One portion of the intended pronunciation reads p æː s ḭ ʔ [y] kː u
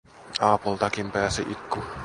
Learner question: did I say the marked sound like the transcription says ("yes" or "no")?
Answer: no